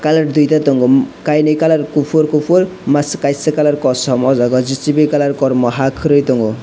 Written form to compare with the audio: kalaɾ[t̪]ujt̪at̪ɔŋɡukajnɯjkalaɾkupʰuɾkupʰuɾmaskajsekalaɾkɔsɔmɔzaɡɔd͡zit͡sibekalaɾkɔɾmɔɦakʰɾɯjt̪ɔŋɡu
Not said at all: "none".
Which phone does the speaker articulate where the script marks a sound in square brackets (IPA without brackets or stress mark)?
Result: d̪